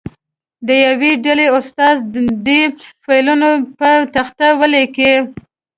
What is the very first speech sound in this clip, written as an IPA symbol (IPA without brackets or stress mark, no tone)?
d̪